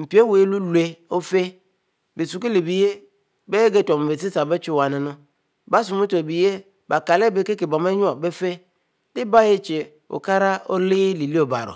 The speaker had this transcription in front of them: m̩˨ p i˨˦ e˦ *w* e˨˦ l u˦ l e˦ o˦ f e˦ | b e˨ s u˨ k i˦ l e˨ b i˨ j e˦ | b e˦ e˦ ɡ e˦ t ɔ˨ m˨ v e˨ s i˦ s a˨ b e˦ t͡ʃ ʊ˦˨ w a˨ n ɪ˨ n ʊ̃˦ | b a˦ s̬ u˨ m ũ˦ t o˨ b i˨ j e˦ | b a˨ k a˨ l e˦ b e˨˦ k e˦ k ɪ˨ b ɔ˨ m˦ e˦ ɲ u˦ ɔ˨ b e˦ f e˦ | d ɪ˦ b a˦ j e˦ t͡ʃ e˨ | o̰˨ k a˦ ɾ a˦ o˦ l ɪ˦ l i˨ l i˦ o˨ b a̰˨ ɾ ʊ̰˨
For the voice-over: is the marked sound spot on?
yes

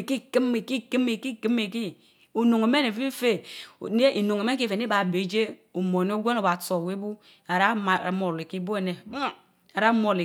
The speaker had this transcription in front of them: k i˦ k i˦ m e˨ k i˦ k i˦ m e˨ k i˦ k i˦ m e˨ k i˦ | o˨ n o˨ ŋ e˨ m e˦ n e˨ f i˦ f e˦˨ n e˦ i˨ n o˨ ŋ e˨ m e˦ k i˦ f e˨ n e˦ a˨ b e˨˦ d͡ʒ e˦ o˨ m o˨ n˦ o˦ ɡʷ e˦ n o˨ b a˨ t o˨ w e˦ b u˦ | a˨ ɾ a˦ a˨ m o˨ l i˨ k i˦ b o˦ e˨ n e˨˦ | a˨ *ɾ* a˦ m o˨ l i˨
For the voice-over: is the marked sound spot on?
yes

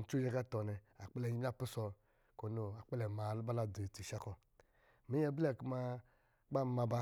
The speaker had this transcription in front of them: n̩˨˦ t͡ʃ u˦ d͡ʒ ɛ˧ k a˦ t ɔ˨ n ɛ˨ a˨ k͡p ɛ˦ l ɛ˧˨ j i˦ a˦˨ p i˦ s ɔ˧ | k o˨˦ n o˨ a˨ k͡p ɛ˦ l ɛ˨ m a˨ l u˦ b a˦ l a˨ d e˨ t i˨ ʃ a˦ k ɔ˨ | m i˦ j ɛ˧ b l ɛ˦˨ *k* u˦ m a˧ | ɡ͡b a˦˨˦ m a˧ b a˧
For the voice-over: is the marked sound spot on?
yes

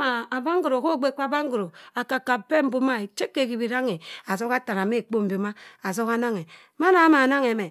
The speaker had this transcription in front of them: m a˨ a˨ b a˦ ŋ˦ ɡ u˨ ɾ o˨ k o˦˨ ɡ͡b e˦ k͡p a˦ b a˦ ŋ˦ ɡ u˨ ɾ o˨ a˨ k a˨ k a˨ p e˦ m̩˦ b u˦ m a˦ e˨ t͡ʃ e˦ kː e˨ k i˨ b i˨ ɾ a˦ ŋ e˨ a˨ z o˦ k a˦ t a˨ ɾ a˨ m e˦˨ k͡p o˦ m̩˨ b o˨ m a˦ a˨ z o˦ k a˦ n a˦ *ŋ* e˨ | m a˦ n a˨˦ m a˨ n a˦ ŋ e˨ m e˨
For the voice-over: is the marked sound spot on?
yes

